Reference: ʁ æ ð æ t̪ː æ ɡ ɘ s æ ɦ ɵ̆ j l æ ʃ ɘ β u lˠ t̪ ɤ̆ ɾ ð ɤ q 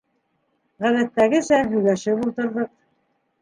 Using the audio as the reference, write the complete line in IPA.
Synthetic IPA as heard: ʁ æ ð æ t̪ː æ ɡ ɘ s æ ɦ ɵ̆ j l æ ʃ ɘ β u lˠ t̪ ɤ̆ ɾ ð ɤ q